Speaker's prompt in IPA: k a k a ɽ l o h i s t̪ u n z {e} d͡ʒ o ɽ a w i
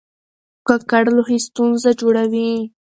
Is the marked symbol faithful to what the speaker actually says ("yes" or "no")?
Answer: no